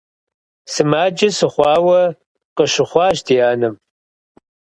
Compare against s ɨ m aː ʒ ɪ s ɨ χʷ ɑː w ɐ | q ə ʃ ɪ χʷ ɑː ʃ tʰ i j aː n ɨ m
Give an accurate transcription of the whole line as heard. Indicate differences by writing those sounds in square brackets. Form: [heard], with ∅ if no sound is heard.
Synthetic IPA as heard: s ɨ m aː [d͡ʒ] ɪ s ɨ χʷ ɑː w ɐ | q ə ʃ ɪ χʷ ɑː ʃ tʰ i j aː n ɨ m